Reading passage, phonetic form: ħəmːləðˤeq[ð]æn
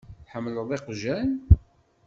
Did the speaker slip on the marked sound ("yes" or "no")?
yes